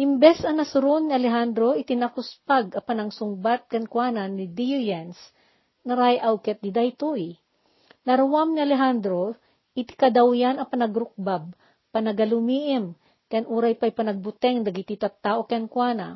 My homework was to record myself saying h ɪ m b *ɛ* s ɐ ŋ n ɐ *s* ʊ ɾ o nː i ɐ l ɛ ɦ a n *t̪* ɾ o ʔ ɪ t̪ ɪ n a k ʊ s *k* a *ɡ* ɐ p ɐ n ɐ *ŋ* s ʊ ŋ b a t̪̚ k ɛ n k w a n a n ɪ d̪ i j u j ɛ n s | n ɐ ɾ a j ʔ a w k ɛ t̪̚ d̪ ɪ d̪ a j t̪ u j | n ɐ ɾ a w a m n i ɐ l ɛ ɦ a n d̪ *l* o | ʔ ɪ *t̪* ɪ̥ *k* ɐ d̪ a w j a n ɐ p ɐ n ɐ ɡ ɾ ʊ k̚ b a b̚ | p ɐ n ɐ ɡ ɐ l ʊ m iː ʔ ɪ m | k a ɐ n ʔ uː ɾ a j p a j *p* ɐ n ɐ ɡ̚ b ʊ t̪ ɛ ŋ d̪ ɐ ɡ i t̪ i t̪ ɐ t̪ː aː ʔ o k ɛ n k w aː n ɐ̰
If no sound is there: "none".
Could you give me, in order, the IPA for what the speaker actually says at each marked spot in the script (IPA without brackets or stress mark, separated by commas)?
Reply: ɛ, s, d̪, p, ɡ, ŋ, ɾ, t̪, k, p